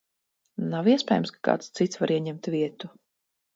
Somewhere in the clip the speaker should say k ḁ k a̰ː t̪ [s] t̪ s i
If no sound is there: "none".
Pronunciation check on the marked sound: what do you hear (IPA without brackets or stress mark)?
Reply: s